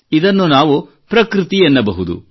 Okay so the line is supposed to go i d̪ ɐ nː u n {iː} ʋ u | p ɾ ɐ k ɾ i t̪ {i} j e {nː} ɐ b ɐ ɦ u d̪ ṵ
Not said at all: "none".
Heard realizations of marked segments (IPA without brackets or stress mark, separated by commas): aː, i, nː